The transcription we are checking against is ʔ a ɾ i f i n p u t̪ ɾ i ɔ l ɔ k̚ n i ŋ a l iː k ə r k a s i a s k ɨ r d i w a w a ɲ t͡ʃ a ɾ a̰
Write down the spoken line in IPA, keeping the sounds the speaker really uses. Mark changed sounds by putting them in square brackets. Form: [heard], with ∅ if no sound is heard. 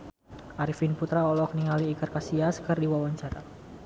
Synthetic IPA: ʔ a ɾ i f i n p u t̪ ɾ [a] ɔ l ɔ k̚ n i ŋ a l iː k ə r k a s i a s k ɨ r d i w a w a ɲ t͡ʃ a ɾ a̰